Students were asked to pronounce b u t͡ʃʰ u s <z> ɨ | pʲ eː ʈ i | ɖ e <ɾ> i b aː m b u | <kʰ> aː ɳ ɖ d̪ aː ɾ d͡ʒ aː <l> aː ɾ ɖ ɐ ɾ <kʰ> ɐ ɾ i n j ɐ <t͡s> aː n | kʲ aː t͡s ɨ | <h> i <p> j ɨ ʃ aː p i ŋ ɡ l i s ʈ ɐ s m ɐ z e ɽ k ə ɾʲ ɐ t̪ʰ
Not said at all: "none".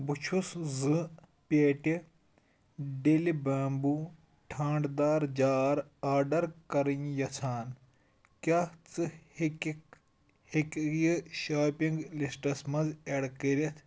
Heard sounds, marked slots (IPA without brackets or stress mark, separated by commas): z, l, ʈʰ, ɾ, k, t͡sʰ, h, k